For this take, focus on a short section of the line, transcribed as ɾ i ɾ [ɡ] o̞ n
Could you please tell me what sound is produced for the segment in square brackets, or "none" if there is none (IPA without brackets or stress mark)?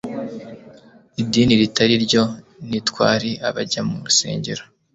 ɟ